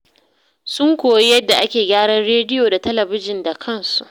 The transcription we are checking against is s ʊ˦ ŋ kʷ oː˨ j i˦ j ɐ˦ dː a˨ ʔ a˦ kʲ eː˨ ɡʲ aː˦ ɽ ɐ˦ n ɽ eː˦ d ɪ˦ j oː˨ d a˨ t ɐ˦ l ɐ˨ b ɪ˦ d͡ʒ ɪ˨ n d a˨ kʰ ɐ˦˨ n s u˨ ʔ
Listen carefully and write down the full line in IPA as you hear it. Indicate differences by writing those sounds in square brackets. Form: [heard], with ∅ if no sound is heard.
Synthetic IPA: s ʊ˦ ŋ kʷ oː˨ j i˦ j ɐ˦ dː a˨ ʔ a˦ kʲ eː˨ ɡʲ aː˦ ɽ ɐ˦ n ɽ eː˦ d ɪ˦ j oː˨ d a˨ t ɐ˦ l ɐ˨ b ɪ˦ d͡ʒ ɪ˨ n d a˨ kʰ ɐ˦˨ n s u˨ ʔ